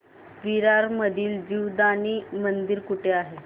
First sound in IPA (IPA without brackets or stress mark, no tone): ʋ